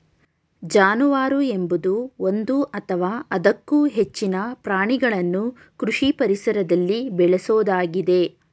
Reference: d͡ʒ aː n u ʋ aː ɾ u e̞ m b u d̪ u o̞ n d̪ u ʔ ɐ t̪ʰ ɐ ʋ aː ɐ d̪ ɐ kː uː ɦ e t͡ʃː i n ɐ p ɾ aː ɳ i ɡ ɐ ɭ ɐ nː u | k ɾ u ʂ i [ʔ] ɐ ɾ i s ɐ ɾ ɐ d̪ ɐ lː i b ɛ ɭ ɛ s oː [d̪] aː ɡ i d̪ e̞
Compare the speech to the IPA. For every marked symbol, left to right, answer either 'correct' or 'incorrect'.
incorrect: p, correct

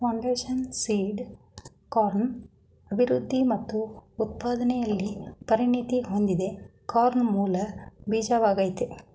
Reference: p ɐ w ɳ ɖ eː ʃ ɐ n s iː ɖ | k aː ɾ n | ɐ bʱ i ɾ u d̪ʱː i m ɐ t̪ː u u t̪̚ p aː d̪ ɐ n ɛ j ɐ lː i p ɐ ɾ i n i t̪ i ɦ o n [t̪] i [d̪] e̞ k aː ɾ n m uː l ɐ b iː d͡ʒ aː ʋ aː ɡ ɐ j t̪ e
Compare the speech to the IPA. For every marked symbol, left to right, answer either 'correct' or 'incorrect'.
incorrect: d̪, correct

